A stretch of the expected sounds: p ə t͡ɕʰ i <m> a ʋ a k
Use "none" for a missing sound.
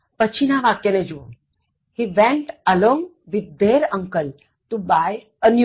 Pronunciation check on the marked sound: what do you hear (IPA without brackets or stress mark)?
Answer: n